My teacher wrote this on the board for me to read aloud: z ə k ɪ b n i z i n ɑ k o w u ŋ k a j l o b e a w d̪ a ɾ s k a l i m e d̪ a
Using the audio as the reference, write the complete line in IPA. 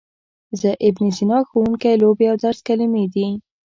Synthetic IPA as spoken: z ə ʔ ɪ b n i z i n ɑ x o w u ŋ k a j l o b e a w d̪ a ɾ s k a l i m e d̪ i